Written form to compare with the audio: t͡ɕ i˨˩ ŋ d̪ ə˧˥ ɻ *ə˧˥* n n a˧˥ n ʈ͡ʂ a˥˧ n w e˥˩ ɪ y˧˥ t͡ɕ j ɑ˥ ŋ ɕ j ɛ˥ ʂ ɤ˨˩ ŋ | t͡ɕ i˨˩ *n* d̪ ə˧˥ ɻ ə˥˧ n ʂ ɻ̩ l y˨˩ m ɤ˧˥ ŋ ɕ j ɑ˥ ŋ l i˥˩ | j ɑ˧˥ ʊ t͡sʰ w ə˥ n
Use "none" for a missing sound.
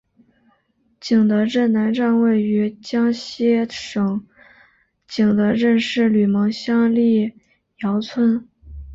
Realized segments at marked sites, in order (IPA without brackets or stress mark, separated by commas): ə˥˩, ŋ